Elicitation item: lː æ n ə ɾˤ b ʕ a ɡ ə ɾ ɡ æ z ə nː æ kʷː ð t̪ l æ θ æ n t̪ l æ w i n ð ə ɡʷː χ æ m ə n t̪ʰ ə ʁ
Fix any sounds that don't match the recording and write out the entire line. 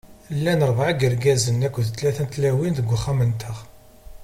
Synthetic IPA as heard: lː æ n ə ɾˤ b ʕ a ɡ ə ɾ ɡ æ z ə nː æ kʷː ð t̪ l æ θ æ n t̪ l æ w i n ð ə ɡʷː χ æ m ə n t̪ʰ ə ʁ